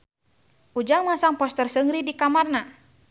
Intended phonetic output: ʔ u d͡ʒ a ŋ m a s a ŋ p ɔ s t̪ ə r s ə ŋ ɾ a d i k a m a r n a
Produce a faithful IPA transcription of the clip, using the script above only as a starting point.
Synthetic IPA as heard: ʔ u d͡ʒ a ŋ m a s a ŋ p ɔ s t̪ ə r s ə ŋ ɾ i d i k a m a r n a